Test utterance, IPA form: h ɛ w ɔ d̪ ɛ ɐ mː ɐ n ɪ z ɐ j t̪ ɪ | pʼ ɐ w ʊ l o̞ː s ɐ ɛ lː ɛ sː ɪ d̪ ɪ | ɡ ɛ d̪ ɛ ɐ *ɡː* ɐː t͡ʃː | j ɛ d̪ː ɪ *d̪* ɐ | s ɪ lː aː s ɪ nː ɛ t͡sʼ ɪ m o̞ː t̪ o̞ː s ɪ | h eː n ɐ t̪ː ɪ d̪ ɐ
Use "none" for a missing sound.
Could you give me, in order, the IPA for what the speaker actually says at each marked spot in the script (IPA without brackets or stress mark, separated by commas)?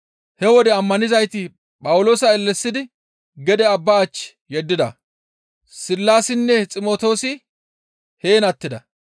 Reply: bː, d̪